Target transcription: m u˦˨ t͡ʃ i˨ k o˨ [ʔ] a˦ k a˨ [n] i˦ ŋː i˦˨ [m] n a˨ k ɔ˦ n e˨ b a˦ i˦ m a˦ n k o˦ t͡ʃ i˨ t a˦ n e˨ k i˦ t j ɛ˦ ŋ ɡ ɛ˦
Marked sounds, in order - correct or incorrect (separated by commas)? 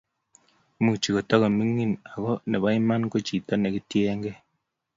incorrect, incorrect, incorrect